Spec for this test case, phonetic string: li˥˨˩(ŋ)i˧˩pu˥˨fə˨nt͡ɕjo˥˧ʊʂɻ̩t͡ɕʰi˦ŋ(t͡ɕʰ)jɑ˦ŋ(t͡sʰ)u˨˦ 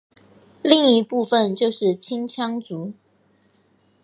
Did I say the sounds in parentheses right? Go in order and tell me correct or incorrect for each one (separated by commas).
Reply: correct, correct, incorrect